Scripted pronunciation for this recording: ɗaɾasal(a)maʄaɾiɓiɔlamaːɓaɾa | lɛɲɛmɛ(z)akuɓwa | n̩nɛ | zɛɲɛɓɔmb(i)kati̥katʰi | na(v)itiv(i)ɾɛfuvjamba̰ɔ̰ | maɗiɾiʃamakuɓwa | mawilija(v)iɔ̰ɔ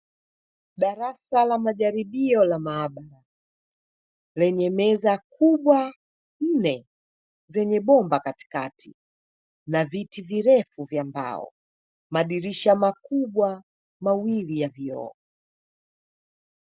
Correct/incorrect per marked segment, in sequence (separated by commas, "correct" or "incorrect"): correct, correct, incorrect, correct, correct, correct